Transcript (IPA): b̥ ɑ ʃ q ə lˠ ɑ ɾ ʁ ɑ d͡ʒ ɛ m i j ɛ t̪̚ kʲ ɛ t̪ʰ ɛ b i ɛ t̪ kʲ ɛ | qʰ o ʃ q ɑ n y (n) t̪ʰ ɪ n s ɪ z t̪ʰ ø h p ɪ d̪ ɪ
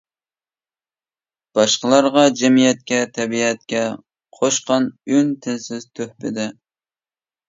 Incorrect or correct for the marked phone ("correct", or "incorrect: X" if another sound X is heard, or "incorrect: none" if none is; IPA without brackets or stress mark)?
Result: correct